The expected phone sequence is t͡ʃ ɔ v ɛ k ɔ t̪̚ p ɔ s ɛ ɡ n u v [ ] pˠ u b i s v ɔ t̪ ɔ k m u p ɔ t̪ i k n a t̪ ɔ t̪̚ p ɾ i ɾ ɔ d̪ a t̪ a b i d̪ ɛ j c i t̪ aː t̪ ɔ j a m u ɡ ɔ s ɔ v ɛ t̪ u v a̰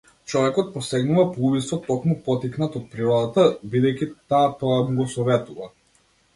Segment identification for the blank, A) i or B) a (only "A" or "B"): B